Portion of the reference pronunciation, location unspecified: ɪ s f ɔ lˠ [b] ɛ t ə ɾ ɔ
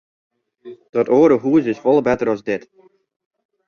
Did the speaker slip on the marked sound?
no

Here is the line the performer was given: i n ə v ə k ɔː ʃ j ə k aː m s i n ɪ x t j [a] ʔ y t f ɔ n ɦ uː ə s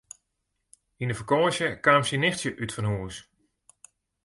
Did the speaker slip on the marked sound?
yes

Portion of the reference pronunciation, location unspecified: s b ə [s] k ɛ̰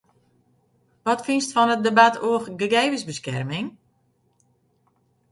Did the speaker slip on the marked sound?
no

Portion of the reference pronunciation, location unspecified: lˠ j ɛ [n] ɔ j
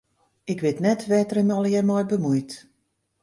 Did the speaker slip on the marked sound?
yes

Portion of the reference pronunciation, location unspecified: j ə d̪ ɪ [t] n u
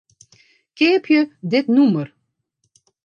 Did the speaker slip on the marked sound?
no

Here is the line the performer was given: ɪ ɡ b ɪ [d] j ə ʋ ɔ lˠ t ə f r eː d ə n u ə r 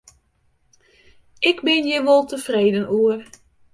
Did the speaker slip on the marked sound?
yes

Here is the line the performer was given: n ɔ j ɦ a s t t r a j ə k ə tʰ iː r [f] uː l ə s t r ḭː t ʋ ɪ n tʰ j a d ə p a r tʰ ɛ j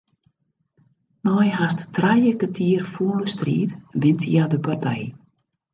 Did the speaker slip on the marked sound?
no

